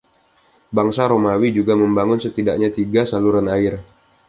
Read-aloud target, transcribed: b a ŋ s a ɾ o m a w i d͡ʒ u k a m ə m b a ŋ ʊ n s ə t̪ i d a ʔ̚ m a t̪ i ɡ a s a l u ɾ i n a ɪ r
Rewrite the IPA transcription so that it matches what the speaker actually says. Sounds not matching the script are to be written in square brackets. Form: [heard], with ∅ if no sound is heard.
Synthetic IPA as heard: b a ŋ s a ɾ o m a w i d͡ʒ u [ɡ] a m ə m b a ŋ ʊ n s ə t̪ i d a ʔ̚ [ɲ] a t̪ i ɡ a s a l u ɾ [a] n a ɪ r